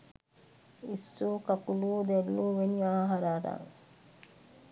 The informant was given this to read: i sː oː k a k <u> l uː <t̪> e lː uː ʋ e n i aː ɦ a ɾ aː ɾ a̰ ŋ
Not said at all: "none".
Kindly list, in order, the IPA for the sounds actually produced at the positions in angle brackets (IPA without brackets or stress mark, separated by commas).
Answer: u, d̪